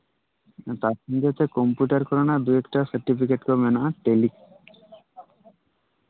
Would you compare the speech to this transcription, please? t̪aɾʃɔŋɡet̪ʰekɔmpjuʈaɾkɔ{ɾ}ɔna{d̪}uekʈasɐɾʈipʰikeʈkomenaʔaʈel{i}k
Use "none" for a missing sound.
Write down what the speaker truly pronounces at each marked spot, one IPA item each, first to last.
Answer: ɾ, d̪, i

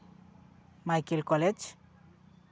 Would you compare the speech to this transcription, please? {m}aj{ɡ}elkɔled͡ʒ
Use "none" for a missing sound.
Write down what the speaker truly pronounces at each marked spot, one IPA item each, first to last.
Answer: m, k

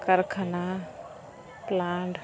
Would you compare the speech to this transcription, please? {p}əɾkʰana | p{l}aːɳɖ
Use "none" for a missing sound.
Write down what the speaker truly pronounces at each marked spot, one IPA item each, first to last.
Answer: k, l

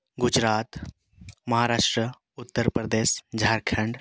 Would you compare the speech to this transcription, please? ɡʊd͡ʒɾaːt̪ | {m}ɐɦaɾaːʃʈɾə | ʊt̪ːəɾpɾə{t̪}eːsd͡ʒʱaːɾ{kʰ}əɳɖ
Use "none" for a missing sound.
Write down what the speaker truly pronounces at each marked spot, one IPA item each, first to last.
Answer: m, d̪, kʰ

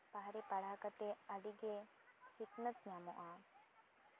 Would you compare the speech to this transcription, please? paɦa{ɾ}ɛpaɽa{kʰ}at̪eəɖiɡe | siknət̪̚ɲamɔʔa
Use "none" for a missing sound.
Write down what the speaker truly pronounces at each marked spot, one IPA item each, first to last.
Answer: ɾ, k

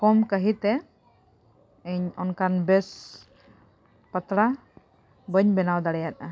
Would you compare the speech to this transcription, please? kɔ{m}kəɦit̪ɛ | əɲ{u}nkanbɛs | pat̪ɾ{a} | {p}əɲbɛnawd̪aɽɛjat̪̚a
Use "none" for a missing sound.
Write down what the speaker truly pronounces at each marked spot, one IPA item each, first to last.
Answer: m, ɔ, a, b

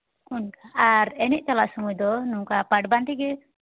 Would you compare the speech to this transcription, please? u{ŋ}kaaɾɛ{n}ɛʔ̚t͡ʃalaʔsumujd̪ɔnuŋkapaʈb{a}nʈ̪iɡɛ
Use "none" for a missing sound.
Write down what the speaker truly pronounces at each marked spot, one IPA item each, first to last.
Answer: n, n, a

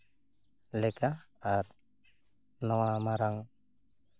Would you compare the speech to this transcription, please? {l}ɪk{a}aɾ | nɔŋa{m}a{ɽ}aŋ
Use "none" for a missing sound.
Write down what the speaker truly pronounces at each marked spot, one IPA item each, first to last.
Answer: l, a, m, ɾ

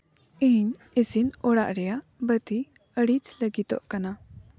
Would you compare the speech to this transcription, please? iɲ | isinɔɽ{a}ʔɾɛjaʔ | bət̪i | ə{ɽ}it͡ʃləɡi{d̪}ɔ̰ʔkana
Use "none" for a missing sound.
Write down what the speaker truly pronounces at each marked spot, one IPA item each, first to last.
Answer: a, ɽ, t̪

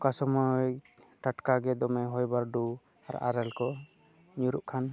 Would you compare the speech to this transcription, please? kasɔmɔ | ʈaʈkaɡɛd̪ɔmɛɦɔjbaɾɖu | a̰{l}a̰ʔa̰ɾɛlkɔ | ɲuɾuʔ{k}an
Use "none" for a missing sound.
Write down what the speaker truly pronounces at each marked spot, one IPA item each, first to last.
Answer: ɾ, kʰ

